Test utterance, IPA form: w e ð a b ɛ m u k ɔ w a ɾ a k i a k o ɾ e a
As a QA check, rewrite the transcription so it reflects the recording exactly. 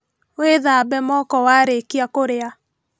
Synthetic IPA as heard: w e ð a b ɛ m ɔ k ɔ w a ɾ e k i a k o ɾ e a